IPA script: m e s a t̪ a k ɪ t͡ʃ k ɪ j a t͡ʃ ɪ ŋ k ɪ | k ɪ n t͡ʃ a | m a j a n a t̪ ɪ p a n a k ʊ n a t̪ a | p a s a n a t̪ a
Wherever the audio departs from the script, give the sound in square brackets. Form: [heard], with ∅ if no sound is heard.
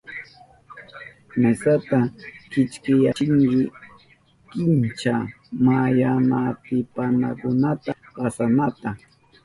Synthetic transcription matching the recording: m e s a t̪ a k ɪ t͡ʃ k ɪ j a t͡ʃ ɪ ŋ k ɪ | k ɪ n t͡ʃ a | m a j a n a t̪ ɪ p a n a k ʊ n a t̪ a | p a s a n a t̪ a